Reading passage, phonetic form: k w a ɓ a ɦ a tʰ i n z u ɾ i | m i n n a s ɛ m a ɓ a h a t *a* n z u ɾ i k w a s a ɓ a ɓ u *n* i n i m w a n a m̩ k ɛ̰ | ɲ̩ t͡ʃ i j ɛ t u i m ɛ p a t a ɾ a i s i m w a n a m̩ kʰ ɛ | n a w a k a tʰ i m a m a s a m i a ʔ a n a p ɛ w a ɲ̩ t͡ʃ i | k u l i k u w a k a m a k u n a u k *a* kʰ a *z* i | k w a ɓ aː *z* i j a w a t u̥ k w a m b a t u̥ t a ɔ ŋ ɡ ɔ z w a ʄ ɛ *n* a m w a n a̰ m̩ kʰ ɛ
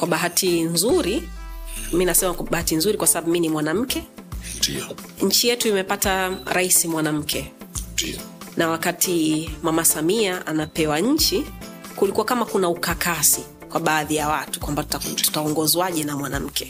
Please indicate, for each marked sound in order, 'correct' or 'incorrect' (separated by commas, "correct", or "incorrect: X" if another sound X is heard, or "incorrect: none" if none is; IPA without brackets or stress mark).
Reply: incorrect: i, incorrect: m, correct, incorrect: s, incorrect: ð, correct